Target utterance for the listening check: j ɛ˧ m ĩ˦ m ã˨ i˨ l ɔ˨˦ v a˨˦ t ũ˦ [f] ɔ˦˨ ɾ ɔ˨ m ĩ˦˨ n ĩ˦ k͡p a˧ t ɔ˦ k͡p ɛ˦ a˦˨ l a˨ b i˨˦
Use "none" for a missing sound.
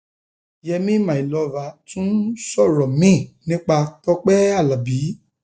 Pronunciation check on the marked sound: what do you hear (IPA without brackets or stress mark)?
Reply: s